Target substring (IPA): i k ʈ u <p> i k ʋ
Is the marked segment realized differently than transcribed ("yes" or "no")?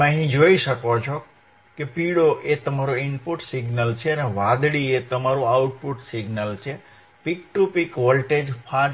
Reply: no